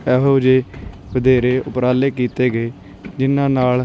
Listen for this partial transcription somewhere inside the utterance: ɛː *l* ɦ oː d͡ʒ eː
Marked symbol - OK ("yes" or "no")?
no